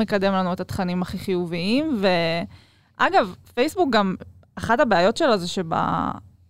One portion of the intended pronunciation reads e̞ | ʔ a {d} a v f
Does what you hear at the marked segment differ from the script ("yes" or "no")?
yes